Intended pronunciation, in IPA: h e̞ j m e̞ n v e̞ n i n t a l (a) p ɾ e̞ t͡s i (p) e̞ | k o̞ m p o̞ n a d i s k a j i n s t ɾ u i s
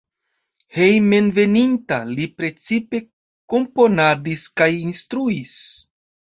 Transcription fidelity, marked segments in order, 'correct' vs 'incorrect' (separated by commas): incorrect, correct